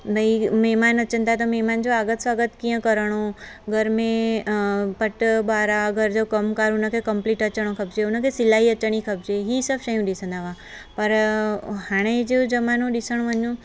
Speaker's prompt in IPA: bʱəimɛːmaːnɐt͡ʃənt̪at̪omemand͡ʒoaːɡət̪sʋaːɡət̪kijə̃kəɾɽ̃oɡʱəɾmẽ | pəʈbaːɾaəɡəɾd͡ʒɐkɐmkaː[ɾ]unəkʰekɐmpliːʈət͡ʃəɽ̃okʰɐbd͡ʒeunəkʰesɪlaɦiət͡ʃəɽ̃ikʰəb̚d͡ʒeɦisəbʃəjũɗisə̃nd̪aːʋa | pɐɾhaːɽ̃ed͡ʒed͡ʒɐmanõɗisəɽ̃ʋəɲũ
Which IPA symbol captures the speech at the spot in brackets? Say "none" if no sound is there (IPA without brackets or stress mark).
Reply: ɾ